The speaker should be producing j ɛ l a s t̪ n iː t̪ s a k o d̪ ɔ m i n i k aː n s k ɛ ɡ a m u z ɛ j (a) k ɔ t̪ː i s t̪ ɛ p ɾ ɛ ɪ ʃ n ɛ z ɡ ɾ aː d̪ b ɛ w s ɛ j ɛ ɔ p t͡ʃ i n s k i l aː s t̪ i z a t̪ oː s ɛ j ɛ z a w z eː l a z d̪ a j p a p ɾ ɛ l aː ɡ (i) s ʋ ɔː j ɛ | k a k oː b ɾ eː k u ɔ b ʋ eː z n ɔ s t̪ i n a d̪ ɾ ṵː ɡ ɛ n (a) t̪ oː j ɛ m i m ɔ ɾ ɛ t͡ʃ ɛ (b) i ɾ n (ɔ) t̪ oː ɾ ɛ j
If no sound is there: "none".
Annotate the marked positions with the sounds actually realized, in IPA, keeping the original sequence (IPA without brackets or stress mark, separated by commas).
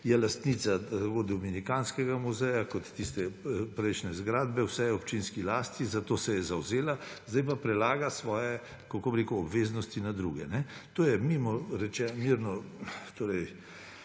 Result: a, a, ɛ, m, ɔ